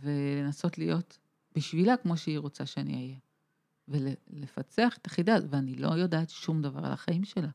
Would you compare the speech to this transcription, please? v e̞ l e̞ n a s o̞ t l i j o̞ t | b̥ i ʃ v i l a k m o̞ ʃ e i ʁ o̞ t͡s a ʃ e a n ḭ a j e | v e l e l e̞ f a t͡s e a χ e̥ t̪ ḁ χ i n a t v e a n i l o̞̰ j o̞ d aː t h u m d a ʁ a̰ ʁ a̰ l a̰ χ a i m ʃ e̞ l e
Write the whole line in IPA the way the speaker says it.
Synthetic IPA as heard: v e̞ l e̞ n a s o̞ t l i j o̞ t | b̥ i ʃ v i l a k m o̞ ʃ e i ʁ o̞ t͡s a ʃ e a n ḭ a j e | v e l e l e̞ f a t͡s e a χ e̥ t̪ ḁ χ i d a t v e a n i l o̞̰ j o̞ d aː t ʃ u m d a v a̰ ʁ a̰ l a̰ χ a i m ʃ e̞ l a